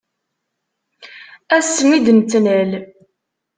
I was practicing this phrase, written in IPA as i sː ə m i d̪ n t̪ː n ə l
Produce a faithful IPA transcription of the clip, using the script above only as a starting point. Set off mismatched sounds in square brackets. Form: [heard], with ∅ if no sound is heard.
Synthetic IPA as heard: [æ] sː ə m i d̪ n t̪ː n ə l

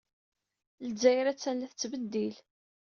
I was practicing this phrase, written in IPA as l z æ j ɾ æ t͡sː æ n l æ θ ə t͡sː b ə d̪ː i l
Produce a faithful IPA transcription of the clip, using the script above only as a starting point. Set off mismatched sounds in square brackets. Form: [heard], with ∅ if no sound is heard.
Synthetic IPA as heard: l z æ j ɾ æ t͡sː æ n l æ θ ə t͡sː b ə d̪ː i l

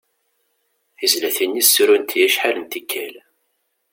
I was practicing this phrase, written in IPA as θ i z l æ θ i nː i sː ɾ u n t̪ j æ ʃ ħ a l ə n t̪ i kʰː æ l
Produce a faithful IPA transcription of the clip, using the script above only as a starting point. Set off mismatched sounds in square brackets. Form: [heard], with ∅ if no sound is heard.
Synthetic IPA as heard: θ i z l æ θ i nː i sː ɾ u n t̪ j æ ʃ ħ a l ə n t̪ i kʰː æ l

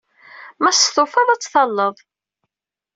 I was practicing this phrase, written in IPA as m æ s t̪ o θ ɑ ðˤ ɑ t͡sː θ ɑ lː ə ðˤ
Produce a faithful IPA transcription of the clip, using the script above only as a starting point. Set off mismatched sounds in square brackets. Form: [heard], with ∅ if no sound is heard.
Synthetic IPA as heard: m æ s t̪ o [f] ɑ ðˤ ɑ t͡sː θ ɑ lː ə ðˤ

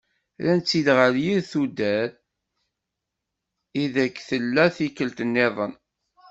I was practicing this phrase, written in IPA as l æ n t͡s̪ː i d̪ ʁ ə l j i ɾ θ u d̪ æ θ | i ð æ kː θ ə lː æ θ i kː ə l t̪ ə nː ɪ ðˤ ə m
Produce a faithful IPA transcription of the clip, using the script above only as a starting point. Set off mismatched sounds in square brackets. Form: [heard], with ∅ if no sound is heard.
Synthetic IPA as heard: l æ n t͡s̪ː i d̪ ʁ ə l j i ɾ θ u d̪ æ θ | i ð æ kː θ ə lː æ θ i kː ə l t̪ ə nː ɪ ðˤ ə [n]

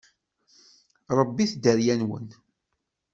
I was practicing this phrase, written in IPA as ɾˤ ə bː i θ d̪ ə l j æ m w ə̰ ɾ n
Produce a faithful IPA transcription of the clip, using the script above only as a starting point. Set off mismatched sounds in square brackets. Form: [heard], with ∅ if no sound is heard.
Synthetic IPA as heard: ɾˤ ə bː i θ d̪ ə [ɾ] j æ [n] w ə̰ [∅] n

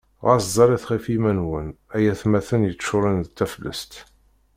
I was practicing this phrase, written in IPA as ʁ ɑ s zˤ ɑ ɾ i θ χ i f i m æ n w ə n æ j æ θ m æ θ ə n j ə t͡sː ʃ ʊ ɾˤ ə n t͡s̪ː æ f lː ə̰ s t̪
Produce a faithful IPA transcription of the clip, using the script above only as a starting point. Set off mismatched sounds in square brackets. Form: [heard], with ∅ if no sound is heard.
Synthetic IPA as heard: ʁ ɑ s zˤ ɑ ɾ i θ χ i f i m æ n w ə n æ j æ θ m æ θ ə n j ə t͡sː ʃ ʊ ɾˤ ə n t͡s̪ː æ f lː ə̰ s t̪

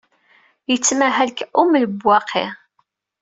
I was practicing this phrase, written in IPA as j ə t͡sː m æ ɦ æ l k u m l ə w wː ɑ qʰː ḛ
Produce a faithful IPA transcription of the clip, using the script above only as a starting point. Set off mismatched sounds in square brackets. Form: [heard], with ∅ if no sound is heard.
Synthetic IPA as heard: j ə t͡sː m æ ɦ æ l k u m l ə [b] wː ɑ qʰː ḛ

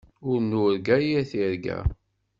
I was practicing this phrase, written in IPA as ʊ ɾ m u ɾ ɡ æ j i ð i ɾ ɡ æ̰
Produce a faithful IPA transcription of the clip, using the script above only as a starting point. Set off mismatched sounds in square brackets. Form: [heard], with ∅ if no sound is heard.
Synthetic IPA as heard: ʊ ɾ [n] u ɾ ɡ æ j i [θ] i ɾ ɡ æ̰

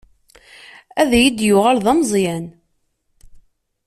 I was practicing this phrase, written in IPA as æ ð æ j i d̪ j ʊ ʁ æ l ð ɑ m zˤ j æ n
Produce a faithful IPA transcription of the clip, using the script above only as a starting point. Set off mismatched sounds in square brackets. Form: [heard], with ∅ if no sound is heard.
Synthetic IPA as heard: æ ð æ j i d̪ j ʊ ʁ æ l ð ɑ m zˤ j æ n

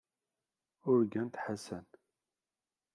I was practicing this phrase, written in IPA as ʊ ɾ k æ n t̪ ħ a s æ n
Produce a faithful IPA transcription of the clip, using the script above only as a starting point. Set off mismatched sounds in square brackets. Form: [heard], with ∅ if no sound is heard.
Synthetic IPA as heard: ʊ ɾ [ɡ] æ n t̪ ħ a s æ n

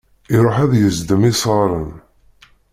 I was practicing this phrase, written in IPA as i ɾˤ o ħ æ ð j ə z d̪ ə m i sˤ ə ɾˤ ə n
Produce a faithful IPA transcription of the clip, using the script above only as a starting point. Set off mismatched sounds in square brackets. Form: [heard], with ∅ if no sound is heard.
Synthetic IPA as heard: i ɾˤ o ħ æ ð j ə z d̪ ə m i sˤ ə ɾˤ ə n

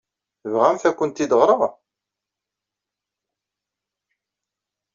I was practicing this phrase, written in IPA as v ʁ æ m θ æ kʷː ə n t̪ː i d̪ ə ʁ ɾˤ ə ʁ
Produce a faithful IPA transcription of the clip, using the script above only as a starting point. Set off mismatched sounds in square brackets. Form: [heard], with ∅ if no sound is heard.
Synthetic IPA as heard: v ʁ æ m θ æ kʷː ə n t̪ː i d̪ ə ʁ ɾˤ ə ʁ

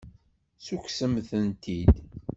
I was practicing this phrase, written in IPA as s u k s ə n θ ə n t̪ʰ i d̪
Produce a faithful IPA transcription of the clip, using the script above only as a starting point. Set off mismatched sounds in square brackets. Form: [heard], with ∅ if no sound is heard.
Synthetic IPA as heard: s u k s ə [m] θ ə n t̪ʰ i d̪

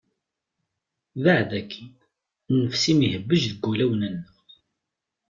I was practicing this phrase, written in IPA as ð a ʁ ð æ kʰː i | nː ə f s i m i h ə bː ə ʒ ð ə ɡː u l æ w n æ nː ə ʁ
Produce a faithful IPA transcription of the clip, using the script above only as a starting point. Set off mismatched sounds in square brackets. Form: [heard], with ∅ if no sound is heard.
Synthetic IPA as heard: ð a [ʕ] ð æ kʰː i | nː ə f s i m i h ə bː ə ʒ ð ə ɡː u l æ w n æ nː ə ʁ

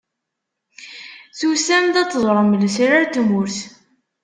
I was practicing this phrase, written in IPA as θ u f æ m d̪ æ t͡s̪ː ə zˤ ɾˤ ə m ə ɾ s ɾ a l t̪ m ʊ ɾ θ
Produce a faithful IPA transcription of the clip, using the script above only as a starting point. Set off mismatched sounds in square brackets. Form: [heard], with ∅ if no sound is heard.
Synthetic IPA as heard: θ u [s] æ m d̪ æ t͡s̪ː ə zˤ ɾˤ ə m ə [l] s ɾ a [ɾ] t̪ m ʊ ɾ θ

